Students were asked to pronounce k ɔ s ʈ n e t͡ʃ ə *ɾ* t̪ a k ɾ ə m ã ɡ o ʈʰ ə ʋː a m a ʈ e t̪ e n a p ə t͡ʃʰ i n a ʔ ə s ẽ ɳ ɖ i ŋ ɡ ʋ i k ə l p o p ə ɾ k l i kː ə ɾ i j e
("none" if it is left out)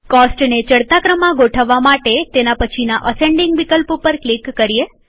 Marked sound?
ɽ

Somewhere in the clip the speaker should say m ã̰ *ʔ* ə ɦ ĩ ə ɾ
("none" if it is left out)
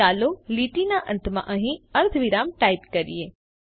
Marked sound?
ʔ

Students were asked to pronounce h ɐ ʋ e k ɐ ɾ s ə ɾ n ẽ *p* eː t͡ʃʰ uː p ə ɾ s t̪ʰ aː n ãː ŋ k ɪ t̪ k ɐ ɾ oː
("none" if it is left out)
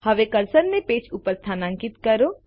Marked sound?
p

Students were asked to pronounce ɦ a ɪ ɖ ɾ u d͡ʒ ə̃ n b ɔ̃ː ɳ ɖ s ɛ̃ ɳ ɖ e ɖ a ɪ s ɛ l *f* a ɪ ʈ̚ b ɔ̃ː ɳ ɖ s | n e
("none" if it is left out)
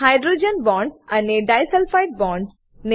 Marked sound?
f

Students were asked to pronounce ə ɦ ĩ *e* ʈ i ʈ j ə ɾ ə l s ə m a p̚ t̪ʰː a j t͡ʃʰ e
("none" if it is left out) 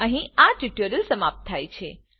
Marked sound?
a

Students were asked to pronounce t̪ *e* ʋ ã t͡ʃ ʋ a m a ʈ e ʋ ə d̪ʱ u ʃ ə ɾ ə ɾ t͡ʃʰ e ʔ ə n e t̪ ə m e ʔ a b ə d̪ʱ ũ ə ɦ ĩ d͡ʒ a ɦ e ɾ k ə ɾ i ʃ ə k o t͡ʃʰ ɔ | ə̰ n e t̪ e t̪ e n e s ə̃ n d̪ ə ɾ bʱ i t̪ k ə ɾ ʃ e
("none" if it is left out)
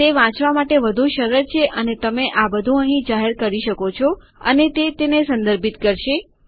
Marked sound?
e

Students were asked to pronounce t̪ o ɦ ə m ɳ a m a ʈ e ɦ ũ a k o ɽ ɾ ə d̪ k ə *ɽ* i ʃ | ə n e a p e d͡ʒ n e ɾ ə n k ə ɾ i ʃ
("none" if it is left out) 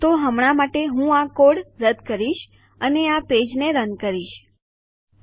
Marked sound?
ɾ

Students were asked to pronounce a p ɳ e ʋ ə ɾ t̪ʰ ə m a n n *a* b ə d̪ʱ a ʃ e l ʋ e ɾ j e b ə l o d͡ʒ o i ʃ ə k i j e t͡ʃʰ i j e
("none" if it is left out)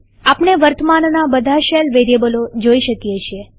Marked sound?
a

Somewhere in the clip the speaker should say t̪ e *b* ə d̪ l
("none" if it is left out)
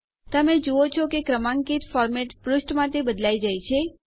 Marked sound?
b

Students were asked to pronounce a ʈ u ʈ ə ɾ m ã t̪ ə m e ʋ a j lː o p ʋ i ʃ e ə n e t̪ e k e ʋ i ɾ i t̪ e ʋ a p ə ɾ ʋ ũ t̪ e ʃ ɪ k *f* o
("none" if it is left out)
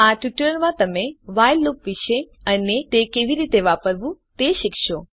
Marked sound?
ʃ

